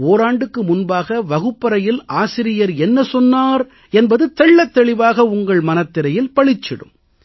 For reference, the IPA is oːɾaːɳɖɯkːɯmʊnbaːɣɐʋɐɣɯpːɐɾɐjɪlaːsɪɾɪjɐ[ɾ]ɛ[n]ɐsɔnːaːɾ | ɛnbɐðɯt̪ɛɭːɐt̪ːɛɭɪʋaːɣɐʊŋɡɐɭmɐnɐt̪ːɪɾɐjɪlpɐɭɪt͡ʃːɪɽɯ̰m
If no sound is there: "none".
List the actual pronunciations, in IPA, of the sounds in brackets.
ɾ, nː

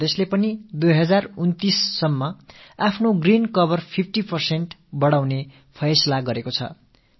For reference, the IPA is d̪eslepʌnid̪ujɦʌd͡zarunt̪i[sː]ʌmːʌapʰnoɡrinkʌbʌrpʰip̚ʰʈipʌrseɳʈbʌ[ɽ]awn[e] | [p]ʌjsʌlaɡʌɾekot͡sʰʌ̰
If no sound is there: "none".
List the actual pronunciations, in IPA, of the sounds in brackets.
sː, ɽ, e, pʰ

